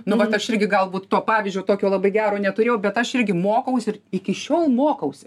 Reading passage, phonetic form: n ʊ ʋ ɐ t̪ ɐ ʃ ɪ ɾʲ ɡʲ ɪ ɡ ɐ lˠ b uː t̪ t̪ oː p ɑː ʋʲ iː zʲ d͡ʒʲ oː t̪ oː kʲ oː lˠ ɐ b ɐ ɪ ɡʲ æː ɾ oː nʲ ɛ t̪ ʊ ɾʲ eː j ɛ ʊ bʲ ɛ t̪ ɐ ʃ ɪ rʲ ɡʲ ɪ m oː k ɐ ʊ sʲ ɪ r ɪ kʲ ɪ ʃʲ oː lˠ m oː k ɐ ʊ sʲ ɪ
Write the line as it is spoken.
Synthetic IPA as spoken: n ʊ ʋ ɐ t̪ ɐ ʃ ɪ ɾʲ ɡʲ ɪ ɡ ɐ lˠ b uː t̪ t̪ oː p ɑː ʋʲ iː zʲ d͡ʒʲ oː t̪ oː kʲ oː lˠ ɐ b ɐ ɪ ɡʲ æː ɾ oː nʲ ɛ t̪ ʊ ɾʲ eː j ɛ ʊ bʲ ɛ t̪ ɐ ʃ ɪ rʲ ɡʲ ɪ m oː k ɐ ʊ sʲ ɪ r ɪ kʲ ɪ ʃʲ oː lˠ m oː k ɐ ʊ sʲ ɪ